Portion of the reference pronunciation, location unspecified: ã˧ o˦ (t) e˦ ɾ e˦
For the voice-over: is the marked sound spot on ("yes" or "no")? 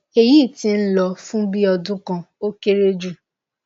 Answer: no